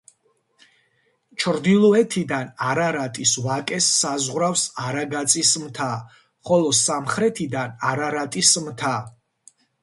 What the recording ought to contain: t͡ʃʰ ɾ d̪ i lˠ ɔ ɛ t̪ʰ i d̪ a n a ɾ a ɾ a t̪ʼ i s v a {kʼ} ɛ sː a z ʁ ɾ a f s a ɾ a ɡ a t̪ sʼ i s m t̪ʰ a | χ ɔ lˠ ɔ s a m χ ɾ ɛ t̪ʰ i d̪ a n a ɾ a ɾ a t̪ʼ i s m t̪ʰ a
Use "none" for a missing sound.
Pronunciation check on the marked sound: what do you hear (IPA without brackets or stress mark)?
kʼ